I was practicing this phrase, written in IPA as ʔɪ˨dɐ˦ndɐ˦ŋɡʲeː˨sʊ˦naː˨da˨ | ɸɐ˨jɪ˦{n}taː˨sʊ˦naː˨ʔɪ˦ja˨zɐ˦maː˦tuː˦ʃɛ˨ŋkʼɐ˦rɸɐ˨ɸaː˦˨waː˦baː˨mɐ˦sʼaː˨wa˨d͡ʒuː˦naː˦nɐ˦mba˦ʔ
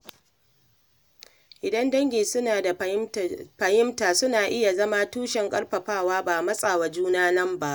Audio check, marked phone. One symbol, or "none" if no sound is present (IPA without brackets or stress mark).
m